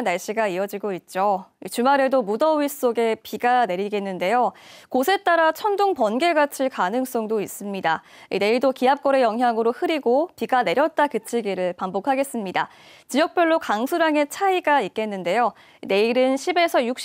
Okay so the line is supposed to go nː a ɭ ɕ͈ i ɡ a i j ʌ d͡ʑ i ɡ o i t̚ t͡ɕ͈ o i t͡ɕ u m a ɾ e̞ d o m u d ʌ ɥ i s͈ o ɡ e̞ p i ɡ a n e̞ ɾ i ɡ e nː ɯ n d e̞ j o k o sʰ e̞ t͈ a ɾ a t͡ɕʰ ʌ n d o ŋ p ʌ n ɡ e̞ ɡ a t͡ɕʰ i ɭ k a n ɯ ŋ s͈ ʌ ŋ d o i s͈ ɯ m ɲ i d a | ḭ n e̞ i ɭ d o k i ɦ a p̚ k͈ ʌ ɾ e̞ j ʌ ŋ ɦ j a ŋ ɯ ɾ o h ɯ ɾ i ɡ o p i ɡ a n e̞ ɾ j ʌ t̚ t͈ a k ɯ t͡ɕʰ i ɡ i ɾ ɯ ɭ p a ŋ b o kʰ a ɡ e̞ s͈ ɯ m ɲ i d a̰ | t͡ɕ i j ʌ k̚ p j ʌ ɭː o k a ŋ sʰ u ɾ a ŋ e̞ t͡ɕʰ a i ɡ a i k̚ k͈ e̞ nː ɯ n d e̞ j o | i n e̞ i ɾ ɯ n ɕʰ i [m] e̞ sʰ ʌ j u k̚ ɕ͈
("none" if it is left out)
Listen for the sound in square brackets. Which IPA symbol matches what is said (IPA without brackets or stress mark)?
b